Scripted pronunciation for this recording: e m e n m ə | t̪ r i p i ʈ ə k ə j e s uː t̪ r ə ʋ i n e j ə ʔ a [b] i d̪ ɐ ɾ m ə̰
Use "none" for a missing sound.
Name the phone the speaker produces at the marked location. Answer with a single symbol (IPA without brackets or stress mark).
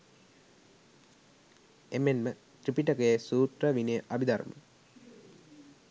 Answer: b